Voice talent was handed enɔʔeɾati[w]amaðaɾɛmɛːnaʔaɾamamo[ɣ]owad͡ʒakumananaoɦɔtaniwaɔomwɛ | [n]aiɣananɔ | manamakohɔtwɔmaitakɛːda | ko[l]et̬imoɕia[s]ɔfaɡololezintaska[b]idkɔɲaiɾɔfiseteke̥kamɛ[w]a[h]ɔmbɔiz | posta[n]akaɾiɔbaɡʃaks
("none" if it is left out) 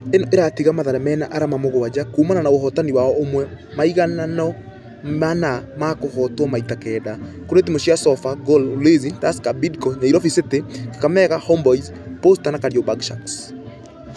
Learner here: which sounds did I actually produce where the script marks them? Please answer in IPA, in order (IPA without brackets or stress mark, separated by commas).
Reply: ɣ, ɣ, m, ɾ, s, b, ɣ, h, n